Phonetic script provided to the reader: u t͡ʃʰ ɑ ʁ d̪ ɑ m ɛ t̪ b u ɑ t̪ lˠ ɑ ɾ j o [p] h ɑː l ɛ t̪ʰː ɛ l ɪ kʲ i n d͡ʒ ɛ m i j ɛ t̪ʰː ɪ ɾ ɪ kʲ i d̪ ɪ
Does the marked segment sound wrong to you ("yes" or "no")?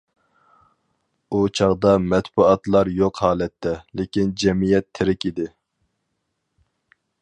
yes